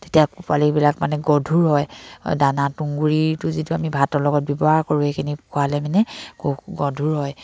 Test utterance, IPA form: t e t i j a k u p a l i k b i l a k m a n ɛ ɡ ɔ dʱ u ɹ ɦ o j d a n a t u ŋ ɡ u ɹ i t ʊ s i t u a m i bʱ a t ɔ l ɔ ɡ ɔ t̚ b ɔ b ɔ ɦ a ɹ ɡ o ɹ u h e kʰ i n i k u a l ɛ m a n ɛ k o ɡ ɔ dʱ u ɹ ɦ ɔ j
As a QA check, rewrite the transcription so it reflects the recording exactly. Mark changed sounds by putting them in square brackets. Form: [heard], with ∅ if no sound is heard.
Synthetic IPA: t e t i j a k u p a l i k b i l a k m a n ɛ ɡ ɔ dʱ u ɹ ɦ [ɔ] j d a n a t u ŋ ɡ u ɹ i t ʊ [z] i t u a m i bʱ a t ɔ l ɔ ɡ ɔ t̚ b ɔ b ɔ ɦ a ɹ [k] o ɹ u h e kʰ i n i k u a l ɛ m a n ɛ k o ɡ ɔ dʱ u ɹ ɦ ɔ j